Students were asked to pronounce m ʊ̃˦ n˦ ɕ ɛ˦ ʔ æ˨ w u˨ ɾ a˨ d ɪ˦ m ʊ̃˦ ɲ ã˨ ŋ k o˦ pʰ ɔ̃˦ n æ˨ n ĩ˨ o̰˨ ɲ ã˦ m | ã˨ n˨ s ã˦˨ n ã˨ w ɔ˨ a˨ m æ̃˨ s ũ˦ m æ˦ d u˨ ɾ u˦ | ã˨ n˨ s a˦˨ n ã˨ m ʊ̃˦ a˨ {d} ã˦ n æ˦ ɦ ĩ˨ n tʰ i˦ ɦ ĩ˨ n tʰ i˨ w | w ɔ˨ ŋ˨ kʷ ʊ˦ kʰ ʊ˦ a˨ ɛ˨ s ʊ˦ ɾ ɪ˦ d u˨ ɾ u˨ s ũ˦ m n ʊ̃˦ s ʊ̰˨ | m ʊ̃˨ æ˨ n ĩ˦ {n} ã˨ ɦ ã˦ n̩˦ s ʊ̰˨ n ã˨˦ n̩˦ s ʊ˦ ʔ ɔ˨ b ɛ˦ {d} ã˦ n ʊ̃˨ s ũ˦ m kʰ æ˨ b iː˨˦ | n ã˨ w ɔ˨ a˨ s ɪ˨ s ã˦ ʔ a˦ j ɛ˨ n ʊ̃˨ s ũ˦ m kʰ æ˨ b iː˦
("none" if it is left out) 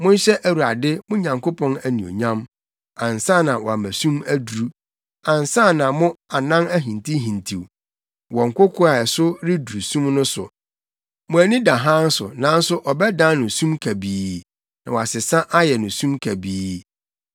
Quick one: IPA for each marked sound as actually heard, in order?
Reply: n, d, d

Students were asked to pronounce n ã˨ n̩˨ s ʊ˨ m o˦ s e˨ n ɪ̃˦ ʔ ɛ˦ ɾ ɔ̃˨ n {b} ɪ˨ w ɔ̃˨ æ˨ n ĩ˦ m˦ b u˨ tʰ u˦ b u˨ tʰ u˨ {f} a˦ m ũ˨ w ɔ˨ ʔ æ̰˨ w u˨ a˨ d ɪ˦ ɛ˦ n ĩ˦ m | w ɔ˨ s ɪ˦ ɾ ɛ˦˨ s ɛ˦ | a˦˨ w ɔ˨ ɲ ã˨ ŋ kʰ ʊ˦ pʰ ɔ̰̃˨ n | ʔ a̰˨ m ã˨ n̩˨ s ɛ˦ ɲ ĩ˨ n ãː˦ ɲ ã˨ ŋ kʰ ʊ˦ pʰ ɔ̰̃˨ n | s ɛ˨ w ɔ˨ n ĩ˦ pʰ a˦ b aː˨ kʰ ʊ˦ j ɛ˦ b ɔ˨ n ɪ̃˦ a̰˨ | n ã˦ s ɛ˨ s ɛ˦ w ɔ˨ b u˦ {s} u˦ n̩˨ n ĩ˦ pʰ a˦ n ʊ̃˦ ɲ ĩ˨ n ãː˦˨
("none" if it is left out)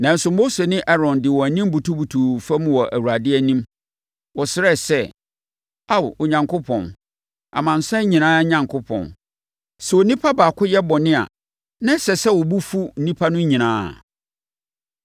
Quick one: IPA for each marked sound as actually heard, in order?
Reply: d, f, f

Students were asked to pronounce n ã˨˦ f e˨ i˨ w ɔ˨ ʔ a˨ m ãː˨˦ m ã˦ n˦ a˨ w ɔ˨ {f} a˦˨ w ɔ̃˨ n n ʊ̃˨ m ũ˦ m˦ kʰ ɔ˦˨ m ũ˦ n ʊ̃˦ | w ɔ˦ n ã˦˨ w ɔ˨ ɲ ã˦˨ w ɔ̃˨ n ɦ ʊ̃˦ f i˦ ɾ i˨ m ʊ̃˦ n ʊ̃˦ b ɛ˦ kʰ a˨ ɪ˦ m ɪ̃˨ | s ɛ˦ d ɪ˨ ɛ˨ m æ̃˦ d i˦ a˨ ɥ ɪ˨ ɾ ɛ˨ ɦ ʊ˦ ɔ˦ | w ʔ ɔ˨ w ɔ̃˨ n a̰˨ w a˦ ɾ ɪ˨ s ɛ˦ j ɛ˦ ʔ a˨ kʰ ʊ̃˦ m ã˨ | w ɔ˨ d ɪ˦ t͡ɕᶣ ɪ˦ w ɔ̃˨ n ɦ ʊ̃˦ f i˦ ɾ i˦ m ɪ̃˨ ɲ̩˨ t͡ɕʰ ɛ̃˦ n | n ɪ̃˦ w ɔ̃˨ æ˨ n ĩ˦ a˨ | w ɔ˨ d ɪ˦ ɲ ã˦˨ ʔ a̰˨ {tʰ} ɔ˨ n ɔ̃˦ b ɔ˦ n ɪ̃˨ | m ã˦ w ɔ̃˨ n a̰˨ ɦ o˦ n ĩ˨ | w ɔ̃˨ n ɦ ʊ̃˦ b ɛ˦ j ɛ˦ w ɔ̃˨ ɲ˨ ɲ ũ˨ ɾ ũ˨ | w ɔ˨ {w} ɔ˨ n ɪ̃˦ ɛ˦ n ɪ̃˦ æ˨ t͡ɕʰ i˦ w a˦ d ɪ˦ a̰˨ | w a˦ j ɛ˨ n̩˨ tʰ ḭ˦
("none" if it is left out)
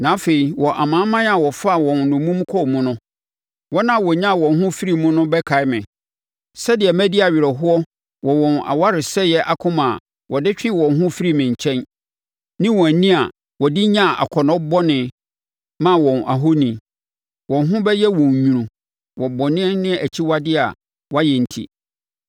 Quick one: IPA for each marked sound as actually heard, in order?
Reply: f, kʰ, b

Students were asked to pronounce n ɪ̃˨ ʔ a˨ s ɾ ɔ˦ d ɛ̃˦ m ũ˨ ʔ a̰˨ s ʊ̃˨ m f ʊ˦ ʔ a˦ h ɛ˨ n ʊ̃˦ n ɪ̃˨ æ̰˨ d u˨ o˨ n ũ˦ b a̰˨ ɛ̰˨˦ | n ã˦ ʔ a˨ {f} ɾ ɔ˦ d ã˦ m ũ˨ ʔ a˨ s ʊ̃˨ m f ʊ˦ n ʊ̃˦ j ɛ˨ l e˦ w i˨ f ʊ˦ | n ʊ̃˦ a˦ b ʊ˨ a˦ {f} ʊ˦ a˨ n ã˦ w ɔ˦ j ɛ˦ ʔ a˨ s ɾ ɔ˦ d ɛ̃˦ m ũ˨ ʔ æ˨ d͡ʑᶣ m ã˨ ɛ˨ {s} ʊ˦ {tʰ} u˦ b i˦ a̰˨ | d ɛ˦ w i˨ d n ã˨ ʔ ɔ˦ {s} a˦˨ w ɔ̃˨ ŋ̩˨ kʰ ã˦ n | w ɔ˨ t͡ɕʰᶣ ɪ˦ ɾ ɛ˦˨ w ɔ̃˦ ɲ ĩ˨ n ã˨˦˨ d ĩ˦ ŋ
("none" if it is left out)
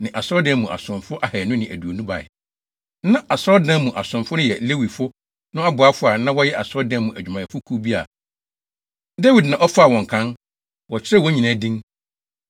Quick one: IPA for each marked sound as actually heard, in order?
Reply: s, f, f, kʰ, f

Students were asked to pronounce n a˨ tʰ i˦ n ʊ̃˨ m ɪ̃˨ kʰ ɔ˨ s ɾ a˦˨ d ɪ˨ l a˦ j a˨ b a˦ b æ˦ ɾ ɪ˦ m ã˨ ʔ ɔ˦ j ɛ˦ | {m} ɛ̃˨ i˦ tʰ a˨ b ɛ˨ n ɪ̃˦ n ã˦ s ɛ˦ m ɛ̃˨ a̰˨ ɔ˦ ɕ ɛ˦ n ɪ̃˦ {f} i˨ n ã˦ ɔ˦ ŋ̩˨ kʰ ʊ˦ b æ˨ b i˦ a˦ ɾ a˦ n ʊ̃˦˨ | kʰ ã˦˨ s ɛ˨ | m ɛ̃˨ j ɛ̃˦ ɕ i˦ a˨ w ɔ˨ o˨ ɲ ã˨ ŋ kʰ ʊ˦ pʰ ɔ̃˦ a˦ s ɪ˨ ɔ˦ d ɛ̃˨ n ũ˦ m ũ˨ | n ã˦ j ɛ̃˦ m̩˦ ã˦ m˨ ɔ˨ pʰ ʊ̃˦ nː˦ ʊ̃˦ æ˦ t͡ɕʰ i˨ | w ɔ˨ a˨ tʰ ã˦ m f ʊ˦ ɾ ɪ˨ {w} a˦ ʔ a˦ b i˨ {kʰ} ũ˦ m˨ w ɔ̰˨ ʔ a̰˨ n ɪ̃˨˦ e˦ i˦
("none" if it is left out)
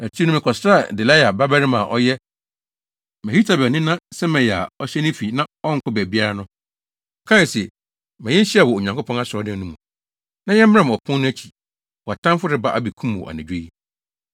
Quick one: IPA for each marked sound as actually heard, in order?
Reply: m, f, b, kʰ

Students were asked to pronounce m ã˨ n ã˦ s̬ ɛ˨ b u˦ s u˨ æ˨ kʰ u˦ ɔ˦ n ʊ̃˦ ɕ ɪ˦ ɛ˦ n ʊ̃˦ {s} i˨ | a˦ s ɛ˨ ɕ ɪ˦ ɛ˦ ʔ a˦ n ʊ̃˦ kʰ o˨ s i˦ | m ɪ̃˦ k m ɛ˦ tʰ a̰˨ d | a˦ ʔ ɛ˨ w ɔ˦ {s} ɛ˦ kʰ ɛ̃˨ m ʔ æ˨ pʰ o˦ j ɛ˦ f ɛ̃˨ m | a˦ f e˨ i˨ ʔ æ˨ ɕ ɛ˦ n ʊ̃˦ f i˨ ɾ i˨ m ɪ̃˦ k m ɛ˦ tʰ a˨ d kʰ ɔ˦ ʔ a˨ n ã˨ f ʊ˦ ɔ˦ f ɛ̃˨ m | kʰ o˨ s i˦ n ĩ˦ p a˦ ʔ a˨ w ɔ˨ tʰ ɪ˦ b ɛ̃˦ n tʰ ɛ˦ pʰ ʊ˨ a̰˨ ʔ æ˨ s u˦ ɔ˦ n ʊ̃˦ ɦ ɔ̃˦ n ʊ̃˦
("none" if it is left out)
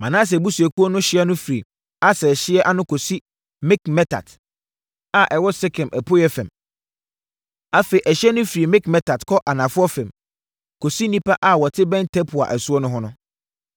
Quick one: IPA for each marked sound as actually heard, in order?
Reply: f, s

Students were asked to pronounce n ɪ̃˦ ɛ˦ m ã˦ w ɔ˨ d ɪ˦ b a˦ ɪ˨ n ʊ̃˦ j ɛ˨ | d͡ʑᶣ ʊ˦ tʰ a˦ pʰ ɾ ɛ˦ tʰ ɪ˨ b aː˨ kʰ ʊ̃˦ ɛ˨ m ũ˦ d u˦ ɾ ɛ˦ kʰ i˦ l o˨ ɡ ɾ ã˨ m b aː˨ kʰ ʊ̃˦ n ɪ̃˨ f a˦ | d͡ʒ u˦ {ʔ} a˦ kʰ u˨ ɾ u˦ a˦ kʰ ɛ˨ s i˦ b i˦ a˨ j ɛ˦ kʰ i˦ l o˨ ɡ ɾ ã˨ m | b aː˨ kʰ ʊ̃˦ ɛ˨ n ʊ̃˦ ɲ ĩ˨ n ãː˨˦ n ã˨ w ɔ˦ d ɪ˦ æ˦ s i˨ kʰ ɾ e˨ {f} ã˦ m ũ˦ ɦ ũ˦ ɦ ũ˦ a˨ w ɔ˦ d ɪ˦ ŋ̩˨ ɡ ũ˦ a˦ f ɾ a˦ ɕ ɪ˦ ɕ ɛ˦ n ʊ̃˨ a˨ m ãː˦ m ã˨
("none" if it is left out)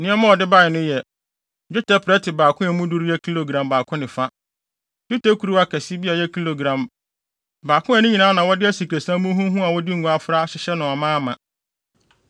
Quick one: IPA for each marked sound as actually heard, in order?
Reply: t, s

